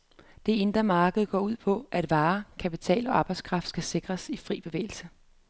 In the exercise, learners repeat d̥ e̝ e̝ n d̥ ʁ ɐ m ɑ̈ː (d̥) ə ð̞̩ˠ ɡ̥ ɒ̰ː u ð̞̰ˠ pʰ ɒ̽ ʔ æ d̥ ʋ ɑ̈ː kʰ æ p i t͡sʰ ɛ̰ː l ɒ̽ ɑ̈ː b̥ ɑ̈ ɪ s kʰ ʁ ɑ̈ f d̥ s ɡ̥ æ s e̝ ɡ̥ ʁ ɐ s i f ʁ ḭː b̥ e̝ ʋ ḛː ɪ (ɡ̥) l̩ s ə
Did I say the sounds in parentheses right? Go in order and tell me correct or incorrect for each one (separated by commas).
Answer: incorrect, incorrect